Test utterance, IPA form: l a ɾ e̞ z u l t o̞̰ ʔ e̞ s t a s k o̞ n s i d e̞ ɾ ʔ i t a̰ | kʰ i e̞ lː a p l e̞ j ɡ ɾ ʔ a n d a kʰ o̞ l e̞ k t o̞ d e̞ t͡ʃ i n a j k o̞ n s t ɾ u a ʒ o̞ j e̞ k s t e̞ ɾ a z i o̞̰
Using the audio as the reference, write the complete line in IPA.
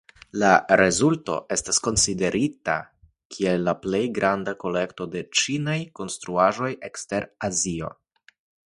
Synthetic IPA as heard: l a ɾ e̞ z u l t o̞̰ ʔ e̞ s t a s k o̞ n s i d e̞ ɾ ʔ i t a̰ | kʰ i e̞ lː a p l e̞ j ɡ ɾ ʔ a n d a k o̞ l e̞ k t o̞ d e̞ t͡ʃ i n a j k o̞ n s t ɾ u a ʒ o̞ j e̞ k s t e̞ ɾ a z i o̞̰